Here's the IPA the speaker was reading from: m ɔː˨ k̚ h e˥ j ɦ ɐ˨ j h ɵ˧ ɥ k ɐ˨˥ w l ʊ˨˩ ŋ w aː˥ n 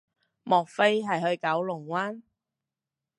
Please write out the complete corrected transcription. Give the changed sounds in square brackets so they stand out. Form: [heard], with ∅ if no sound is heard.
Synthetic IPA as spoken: m ɔː˨ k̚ [f] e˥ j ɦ ɐ˨ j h ɵ˧ ɥ k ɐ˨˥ w l ʊ˨˩ ŋ w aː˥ n

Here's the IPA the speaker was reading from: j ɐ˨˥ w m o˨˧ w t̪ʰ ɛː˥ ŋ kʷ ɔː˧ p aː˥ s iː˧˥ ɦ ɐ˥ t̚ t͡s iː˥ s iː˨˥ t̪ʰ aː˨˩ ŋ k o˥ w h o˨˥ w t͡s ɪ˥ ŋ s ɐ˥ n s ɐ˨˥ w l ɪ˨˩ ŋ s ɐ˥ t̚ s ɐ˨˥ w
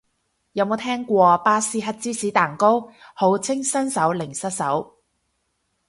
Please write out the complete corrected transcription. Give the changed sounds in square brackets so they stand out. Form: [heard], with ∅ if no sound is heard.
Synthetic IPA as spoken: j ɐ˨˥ w m o˨˧ w t̪ʰ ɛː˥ ŋ kʷ ɔː˧ p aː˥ s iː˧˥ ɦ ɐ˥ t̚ t͡s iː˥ s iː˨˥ [t̪] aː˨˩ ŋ k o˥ w h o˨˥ w [t͡sʰ] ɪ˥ ŋ s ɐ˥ n s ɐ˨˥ w l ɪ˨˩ ŋ s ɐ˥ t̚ s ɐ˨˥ w

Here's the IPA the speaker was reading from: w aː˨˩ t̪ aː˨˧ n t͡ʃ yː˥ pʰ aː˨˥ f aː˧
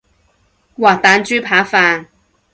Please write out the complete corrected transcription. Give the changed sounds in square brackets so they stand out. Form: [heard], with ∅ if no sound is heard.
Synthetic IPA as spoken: w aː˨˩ t̪ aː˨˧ n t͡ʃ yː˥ pʰ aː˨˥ f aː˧

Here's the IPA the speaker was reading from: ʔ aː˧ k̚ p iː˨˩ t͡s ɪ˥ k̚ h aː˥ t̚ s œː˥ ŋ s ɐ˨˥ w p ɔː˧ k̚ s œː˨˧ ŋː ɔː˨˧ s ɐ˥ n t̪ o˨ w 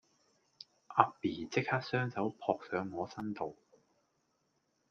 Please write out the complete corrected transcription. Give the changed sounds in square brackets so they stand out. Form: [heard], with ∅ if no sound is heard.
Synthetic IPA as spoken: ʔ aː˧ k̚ p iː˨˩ t͡s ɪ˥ k̚ h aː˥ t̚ s œː˥ ŋ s ɐ˨˥ w [pʰ] ɔː˧ k̚ s œː˨˧ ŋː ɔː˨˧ s ɐ˥ n t̪ o˨ w

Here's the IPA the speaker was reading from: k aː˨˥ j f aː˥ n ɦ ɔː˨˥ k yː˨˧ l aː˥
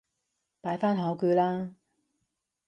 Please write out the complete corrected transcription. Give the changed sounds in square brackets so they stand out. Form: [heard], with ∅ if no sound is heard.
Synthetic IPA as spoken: [p] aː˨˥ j f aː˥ n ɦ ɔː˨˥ k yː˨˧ l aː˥

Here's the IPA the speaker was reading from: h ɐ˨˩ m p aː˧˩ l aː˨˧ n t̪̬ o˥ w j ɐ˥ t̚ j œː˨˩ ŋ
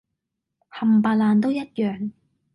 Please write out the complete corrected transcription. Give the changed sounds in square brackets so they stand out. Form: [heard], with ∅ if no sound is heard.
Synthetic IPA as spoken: h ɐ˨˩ m p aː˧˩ l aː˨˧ n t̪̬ o˥ w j ɐ˥ t̚ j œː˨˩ ŋ

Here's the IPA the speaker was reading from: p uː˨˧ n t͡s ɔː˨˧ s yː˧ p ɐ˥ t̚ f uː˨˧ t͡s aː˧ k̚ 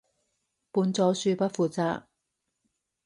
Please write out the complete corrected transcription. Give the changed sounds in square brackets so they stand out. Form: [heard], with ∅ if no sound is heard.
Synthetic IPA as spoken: p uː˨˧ n t͡s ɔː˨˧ s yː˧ p ɐ˥ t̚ f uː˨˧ t͡s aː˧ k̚

